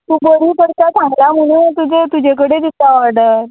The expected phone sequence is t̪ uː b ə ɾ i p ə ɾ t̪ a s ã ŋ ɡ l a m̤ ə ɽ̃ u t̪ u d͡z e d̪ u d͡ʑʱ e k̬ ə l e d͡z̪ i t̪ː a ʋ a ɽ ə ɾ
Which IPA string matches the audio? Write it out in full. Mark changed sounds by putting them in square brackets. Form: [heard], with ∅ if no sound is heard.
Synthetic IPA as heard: t̪ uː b ə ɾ i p ə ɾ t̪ a s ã ŋ ɡ l a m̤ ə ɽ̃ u t̪ u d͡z e [t̪] u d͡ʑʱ e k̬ ə [ɽ] e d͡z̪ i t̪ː a ʋ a ɽ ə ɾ